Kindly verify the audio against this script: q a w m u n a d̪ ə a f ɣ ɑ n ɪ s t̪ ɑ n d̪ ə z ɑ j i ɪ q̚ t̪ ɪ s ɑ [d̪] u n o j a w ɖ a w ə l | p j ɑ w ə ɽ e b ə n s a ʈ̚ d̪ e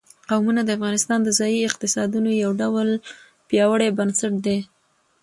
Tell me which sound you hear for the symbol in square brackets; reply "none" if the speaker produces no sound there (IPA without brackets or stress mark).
d̪